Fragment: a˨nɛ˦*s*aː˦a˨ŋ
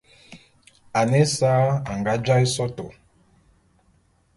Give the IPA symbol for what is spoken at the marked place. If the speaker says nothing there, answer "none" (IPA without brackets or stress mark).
s